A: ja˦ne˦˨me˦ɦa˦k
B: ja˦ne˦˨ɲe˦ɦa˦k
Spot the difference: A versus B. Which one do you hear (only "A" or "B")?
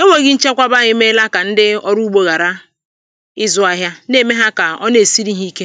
A